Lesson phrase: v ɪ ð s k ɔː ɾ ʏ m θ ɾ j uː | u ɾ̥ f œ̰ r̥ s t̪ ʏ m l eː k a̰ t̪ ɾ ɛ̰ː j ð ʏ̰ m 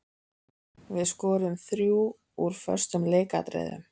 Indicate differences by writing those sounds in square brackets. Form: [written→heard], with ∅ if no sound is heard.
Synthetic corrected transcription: v ɪ ð s k ɔː ɾ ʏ m θ ɾ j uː | u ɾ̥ f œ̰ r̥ s t̪ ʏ m l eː k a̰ t̪ ɾ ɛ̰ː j ð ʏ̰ m